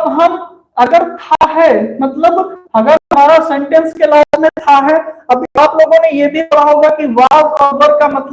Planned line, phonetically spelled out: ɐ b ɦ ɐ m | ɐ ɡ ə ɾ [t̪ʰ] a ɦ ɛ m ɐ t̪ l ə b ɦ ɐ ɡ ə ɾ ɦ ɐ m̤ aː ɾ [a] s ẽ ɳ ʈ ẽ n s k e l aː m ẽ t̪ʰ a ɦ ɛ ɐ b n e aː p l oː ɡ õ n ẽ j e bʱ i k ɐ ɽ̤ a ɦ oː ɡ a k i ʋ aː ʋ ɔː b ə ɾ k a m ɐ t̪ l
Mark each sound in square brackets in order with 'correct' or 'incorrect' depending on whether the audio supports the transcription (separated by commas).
correct, correct